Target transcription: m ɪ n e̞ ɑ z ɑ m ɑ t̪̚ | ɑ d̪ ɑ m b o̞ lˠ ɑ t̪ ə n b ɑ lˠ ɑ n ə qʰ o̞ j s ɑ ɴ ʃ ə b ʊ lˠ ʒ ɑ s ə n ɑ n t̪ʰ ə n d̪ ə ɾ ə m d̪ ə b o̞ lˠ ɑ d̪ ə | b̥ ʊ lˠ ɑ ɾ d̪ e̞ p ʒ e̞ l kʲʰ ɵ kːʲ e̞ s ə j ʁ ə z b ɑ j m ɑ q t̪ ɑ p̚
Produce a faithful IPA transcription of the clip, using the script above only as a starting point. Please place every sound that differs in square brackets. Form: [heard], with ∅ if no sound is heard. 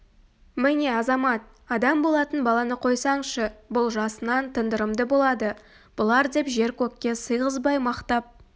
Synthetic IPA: m ɪ n e̞ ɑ z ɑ m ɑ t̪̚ | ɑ d̪ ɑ m b o̞ lˠ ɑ t̪ ə n b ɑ lˠ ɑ n ə qʰ o̞ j s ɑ ɴ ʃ ə b ʊ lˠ ʒ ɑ s ə n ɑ n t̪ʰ ə n d̪ ə ɾ ə m d̪ ə b o̞ lˠ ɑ d̪ ə | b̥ ʊ lˠ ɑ ɾ d̪ e̞ p ʒ e̞ [ɾ] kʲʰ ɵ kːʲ e̞ s ə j ʁ ə z b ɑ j m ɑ q t̪ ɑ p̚